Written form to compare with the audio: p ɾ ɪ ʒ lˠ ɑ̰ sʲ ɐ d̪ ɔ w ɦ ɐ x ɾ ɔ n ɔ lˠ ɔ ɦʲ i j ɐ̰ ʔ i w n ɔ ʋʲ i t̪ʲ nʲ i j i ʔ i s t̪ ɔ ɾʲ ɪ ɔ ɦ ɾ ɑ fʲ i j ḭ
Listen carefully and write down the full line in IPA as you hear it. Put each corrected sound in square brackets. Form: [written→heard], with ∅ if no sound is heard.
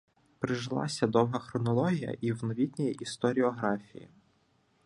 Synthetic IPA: p ɾ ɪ ʒ lˠ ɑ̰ sʲ ɐ d̪ ɔ w ɦ ɐ x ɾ ɔ n ɔ lˠ ɔ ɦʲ i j ɐ̰ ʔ i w n ɔ ʋʲ i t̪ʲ nʲ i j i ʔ i s t̪ ɔ ɾʲ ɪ ɔ ɦ ɾ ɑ fʲ i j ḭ